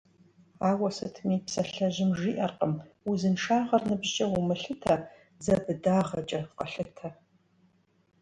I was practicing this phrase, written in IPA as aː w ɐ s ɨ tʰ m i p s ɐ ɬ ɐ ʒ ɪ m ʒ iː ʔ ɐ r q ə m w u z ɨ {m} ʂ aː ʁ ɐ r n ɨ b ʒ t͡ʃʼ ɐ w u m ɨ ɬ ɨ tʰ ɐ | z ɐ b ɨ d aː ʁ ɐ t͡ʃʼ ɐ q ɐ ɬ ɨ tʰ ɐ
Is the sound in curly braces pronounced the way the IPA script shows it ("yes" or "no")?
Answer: no